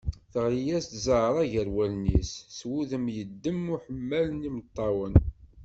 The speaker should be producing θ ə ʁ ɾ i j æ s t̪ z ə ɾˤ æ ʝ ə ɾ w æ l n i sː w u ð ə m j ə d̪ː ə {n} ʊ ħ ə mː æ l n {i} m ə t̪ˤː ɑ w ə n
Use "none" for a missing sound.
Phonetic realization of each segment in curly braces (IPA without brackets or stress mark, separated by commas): m, i